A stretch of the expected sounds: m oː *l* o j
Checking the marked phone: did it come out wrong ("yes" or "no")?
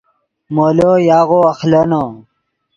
no